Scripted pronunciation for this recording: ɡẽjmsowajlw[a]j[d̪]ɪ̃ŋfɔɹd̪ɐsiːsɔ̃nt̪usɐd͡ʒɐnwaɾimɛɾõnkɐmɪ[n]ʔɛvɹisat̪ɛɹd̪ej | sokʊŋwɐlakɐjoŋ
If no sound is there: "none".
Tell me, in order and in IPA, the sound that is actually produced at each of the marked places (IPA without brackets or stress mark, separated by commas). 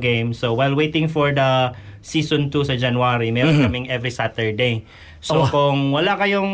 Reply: e, t̪, ŋ